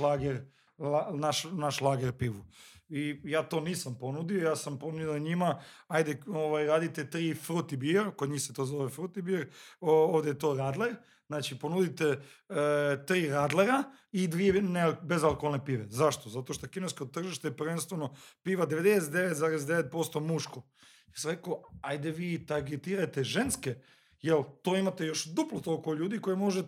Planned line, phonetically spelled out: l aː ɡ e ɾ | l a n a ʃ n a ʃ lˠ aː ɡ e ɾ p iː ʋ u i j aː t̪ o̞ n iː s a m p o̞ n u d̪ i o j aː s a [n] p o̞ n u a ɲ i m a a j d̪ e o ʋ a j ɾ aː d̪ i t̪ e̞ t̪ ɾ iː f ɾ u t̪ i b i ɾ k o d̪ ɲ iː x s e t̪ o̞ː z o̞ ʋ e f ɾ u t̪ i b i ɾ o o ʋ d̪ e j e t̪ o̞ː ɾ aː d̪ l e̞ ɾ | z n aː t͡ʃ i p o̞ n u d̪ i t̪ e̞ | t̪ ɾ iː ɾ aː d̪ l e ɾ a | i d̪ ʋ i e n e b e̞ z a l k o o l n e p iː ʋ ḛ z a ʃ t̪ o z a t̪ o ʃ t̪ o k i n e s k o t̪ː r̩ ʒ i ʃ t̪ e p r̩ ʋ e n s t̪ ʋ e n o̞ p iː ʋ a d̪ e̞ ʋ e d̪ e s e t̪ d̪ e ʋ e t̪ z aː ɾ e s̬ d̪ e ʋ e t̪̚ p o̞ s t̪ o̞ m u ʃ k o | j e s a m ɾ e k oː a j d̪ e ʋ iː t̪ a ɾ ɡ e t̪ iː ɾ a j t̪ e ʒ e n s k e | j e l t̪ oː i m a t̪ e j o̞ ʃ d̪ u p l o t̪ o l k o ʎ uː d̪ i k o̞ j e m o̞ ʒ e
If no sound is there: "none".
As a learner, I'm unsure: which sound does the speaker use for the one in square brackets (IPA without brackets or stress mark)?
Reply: m